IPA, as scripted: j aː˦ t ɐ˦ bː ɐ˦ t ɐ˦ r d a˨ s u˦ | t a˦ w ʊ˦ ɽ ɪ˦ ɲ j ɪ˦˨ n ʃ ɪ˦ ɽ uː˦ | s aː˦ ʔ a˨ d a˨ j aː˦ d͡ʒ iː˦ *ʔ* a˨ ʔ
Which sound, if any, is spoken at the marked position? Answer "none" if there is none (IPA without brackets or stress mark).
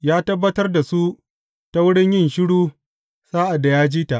t